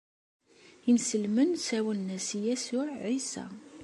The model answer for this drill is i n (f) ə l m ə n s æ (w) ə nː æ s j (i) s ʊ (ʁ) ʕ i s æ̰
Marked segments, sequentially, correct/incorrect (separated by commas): incorrect, correct, incorrect, incorrect